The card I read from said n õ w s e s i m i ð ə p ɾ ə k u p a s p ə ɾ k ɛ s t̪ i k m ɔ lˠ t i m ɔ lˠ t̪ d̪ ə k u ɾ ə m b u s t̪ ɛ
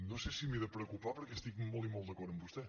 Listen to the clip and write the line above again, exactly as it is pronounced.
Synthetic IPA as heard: n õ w s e s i m i ð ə p ɾ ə k u p a p ə ɾ k ɛ s t̪ i k m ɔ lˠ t i m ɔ lˠ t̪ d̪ ə k ɔ ɾ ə m b u s t̪ ɛ